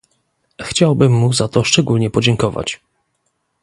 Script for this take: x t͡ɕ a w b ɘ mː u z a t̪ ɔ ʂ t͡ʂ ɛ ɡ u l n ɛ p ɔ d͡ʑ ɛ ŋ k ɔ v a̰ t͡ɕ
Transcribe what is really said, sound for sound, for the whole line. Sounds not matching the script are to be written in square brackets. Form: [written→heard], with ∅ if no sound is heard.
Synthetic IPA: x t͡ɕ a w b ɘ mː u z a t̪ ɔ ʂ t͡ʂ ɛ ɡ u l [n→ɲ] ɛ p ɔ d͡ʑ ɛ ŋ k ɔ v a̰ t͡ɕ